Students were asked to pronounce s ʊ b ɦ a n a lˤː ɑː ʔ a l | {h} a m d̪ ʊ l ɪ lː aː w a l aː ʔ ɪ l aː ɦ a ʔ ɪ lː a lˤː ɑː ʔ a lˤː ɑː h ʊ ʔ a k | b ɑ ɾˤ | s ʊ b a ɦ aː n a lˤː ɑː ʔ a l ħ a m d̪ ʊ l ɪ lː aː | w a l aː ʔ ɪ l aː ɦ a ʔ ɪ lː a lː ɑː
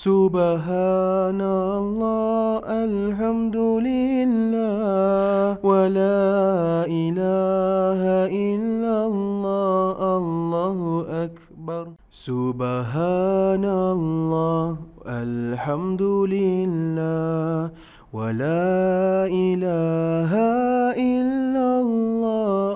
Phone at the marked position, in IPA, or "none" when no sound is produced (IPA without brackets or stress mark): ħ